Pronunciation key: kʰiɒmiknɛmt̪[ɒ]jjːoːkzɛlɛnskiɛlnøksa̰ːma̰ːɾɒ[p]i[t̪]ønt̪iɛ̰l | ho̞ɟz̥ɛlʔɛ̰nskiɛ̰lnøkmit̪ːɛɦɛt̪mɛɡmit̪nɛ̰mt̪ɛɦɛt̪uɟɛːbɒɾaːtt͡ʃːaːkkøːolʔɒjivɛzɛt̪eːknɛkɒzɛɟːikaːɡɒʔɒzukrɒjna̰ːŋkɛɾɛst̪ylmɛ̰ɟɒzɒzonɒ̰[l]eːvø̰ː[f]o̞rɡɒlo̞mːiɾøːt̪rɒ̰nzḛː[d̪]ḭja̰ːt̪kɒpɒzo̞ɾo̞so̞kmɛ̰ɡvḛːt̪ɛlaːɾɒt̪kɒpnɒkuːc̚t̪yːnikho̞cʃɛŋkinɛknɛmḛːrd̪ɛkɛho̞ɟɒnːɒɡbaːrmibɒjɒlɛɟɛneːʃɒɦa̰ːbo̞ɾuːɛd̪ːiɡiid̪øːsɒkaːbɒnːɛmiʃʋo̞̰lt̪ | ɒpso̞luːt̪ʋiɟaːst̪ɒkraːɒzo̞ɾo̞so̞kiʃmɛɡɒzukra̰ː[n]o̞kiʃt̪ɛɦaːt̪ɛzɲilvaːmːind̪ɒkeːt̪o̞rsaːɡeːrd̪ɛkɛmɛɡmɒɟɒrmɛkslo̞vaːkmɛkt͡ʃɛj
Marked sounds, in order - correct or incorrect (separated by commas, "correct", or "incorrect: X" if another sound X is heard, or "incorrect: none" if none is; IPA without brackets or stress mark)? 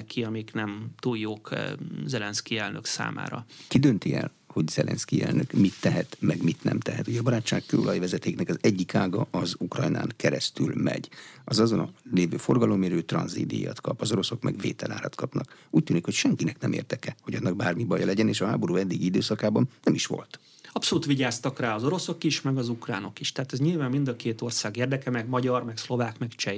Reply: incorrect: u, incorrect: k, incorrect: d̪, correct, correct, correct, correct